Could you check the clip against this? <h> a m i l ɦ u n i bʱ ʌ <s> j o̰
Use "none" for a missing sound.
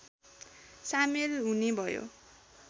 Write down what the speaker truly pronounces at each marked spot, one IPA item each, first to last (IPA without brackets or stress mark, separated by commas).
s, none